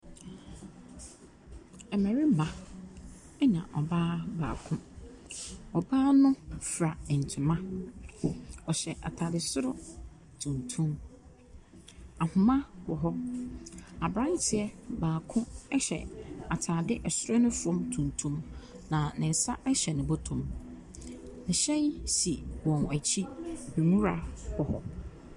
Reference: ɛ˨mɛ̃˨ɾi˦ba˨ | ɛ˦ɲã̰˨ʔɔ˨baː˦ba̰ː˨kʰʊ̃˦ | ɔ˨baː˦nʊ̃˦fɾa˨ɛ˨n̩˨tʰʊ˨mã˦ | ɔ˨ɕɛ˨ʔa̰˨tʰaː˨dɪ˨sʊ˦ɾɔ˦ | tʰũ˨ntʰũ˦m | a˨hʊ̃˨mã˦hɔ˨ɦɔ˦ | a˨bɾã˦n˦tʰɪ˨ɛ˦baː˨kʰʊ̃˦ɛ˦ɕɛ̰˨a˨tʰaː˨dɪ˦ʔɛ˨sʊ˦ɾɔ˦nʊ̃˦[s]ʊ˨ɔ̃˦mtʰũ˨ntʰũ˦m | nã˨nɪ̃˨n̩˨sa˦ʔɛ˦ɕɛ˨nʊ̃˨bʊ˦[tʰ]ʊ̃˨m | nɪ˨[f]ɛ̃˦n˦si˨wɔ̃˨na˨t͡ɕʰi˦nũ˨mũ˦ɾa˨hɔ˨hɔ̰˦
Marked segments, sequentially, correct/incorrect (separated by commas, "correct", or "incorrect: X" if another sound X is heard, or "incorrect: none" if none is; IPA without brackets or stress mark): incorrect: f, correct, incorrect: ɕ